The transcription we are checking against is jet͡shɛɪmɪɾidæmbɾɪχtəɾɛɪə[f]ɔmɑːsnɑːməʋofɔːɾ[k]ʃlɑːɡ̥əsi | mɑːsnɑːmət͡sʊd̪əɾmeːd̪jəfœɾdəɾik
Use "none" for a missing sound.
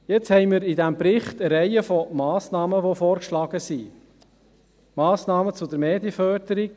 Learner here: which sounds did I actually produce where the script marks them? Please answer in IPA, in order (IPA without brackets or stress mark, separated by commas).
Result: f, k